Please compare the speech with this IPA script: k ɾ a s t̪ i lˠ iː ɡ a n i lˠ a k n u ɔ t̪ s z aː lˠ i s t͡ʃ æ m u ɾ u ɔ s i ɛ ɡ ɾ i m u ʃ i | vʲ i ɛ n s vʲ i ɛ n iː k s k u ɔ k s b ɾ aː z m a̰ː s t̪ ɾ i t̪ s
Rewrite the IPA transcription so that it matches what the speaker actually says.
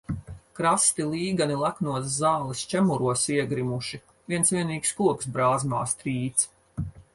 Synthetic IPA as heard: k ɾ a s t̪ i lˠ iː ɡ a n i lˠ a k n u ɔ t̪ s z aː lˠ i s t͡ʃ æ m u ɾ u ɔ s i ɛ ɡ ɾ i m u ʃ i | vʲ i ɛ n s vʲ i ɛ n iː k s k u ɔ k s b ɾ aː z m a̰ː s t̪ ɾ iː t̪ s